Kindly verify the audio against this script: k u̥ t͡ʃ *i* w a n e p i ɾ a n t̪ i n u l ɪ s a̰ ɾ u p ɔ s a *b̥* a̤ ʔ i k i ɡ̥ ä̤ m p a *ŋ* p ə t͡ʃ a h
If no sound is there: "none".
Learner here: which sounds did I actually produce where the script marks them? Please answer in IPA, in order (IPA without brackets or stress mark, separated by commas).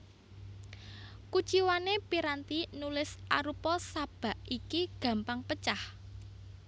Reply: i, b̥, ŋ